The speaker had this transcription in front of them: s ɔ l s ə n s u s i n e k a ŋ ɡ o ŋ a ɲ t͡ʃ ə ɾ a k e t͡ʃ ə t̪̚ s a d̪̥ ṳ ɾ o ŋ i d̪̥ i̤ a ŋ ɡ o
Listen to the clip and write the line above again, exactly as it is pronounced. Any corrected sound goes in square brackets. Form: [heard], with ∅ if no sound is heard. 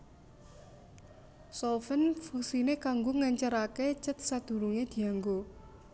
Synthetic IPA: s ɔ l [f] ə n [f] u s i n e k a ŋ ɡ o ŋ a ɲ t͡ʃ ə ɾ a k e t͡ʃ ə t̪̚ s a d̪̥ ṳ ɾ [u] ŋ [e] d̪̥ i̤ a ŋ ɡ o